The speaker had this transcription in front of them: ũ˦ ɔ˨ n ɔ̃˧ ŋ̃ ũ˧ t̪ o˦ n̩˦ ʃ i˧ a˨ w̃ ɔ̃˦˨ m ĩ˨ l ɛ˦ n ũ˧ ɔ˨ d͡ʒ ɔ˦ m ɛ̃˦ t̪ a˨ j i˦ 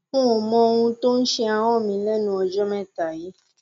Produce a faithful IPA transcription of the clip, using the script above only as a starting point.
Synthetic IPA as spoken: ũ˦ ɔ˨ m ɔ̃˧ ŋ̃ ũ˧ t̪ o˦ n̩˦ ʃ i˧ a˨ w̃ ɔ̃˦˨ m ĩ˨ l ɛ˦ n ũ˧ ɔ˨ d͡ʒ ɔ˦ m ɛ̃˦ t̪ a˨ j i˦